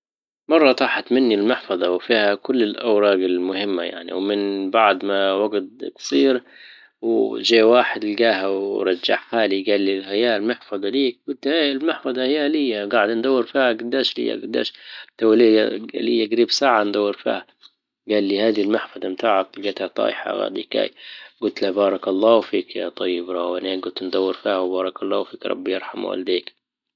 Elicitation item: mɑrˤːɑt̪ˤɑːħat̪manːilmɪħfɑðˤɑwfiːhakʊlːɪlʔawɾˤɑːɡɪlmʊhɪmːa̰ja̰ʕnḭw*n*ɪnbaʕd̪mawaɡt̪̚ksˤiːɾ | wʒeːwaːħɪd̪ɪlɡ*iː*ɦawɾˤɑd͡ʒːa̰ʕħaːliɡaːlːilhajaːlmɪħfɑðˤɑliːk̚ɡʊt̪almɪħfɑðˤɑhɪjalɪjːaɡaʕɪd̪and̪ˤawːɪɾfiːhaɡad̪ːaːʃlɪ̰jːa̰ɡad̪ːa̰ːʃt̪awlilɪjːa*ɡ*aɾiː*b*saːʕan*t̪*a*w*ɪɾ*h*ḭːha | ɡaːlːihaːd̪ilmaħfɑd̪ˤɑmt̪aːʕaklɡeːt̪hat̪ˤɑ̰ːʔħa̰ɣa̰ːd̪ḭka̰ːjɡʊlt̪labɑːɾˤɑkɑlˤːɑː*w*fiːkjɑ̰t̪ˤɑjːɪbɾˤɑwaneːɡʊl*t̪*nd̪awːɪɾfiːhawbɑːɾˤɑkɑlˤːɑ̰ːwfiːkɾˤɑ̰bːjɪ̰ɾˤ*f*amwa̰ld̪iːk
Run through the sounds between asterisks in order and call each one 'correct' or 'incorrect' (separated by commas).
incorrect, incorrect, correct, correct, incorrect, incorrect, incorrect, correct, correct, incorrect